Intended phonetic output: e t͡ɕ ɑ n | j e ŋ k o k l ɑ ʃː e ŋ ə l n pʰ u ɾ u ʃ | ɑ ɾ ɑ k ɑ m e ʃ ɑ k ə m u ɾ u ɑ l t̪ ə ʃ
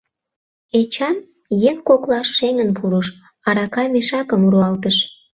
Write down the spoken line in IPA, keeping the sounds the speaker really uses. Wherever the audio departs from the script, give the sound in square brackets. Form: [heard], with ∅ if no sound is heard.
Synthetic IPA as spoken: e t͡ɕ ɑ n | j e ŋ k o k l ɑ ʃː e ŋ ə [∅] n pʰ u ɾ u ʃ | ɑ ɾ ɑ k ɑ m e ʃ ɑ k ə m u ɾ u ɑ l t̪ ə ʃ